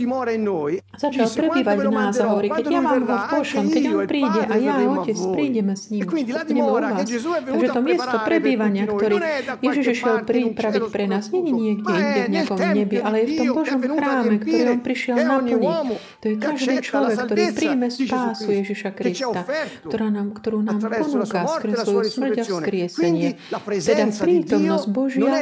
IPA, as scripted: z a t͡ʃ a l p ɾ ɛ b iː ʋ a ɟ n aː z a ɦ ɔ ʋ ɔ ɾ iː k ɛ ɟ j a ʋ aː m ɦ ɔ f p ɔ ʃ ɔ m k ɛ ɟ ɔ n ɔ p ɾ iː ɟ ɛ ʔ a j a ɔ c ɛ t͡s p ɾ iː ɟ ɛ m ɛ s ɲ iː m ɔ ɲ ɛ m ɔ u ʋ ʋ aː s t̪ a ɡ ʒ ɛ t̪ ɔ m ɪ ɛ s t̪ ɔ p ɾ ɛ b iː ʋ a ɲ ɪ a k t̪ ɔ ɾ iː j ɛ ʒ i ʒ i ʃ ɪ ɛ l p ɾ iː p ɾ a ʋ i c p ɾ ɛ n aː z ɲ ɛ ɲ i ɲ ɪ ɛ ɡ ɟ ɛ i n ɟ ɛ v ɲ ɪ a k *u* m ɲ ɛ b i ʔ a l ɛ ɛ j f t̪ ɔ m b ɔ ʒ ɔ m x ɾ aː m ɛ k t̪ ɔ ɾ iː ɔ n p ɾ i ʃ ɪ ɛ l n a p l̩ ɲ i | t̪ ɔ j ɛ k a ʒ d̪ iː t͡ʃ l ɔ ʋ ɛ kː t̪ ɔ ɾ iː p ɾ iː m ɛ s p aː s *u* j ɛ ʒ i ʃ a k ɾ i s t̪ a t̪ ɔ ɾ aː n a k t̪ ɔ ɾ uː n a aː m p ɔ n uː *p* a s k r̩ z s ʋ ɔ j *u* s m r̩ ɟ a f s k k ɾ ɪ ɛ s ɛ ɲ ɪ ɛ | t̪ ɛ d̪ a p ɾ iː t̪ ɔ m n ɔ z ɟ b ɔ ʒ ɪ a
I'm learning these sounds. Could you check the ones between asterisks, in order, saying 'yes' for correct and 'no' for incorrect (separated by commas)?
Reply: no, yes, no, yes